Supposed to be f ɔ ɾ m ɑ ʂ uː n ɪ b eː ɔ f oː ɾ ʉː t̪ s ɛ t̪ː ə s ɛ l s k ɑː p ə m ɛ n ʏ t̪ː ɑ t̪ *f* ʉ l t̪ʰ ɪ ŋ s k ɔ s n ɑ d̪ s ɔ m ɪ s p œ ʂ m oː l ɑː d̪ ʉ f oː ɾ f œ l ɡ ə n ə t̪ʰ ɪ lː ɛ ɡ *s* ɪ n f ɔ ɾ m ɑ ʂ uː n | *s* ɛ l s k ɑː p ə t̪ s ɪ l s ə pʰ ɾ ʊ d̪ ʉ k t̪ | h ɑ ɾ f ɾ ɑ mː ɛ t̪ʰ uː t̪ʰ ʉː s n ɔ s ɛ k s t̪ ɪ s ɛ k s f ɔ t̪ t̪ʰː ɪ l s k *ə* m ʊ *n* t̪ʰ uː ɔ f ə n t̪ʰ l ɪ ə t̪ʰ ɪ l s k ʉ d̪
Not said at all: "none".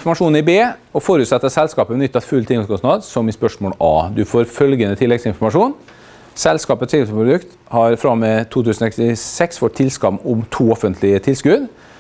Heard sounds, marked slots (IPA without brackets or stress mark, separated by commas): f, s, s, ɑ, m